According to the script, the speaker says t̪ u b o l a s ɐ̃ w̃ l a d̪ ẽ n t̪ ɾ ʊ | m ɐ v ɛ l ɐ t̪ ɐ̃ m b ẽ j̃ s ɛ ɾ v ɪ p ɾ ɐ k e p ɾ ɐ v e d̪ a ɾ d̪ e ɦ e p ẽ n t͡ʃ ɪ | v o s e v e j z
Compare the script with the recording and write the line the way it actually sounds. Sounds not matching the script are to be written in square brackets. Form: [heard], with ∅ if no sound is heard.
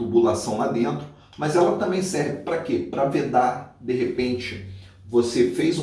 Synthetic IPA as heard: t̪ u b [u] l a s ɐ̃ w̃ l a d̪ ẽ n t̪ ɾ ʊ | m ɐ [z] ɛ l ɐ t̪ ɐ̃ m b ẽ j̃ s ɛ ɾ v ɪ p ɾ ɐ k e p ɾ ɐ v e d̪ a ɾ d̪ e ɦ e p ẽ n t͡ʃ ɪ | v o s e [f] e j z